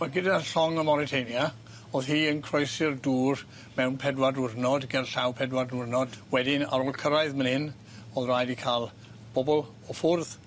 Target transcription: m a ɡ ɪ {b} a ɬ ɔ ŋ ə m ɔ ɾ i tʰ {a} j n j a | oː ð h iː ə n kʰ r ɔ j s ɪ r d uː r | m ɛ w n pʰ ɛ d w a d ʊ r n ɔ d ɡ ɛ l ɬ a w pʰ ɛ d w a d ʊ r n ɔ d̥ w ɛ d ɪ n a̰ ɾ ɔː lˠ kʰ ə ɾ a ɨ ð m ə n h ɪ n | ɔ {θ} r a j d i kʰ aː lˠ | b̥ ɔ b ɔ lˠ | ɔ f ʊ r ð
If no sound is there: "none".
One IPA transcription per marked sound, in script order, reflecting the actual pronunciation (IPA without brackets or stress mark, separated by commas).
d, e, ð